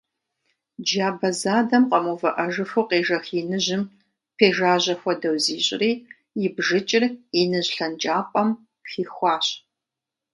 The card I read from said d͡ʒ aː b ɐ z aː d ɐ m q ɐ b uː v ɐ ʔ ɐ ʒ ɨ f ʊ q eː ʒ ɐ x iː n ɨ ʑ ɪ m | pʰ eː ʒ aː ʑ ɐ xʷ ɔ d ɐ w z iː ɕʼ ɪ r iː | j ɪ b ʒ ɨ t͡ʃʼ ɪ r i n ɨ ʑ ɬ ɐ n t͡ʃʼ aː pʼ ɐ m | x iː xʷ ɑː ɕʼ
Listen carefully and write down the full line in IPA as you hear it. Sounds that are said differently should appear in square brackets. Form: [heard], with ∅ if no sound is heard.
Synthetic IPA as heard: d͡ʒ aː b ɐ z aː d ɐ m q ɐ [m] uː v ɐ ʔ ɐ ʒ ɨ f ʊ q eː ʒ ɐ x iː n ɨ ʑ ɪ m | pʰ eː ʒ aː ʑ ɐ xʷ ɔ d ɐ w z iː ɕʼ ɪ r iː | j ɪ b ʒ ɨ t͡ʃʼ ɪ r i n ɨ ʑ ɬ ɐ n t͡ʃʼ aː pʼ ɐ m | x iː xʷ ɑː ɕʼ